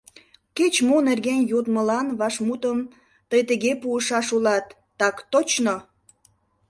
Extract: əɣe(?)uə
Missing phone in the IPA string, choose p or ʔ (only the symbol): p